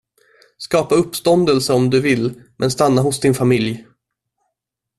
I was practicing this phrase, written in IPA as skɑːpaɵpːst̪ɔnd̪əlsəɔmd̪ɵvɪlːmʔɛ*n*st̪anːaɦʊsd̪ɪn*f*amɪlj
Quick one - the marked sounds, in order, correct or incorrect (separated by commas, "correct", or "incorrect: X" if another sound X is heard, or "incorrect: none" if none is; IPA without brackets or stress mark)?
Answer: correct, correct